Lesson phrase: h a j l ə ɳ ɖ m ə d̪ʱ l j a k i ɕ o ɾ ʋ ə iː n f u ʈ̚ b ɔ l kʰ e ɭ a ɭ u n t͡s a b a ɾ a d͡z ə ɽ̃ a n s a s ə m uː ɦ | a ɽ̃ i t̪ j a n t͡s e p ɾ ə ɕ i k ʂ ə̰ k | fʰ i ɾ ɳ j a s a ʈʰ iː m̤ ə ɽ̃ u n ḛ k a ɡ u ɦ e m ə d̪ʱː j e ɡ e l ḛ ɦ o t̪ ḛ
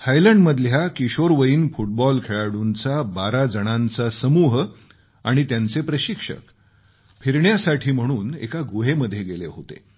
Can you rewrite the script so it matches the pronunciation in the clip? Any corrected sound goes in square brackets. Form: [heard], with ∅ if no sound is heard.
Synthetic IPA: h a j l ə ɳ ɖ m ə d̪ʱ l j a k i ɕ o ɾ ʋ ə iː n f u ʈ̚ b ɔ l kʰ e ɭ a [ɽ] u n t͡s a b a ɾ a d͡z ə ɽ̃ a n [t͡s] a s ə m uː ɦ | a ɽ̃ i t̪ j a n t͡s e p ɾ ə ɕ i k ʂ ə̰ k | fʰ i ɾ ɳ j a s a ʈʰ iː m̤ ə ɽ̃ [uː] n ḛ k a ɡ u ɦ e m ə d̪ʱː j e ɡ e l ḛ ɦ o t̪ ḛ